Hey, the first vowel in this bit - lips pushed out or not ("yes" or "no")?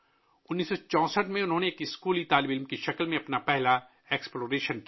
yes